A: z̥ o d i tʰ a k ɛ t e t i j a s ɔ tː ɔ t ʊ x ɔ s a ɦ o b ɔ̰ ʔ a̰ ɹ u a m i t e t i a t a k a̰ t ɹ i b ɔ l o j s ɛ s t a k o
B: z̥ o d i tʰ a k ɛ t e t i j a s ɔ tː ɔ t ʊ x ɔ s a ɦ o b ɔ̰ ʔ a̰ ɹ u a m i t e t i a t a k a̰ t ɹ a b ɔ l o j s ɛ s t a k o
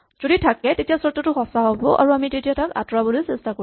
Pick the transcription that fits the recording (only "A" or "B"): B